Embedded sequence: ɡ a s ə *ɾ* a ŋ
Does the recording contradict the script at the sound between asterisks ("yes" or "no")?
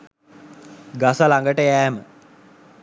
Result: yes